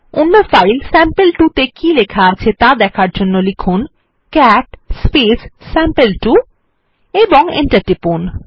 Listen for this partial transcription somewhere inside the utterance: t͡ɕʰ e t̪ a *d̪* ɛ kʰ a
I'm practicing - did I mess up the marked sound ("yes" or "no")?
no